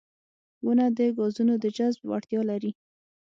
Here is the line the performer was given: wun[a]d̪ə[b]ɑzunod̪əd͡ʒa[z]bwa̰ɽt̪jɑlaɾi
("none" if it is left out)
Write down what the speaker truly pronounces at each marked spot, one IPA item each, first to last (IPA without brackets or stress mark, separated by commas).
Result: a, ɡ, z